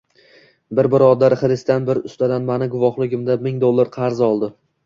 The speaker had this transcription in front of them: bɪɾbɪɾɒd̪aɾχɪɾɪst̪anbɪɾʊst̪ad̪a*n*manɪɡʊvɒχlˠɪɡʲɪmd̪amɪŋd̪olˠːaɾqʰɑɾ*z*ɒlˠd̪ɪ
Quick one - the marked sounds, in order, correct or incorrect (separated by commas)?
correct, correct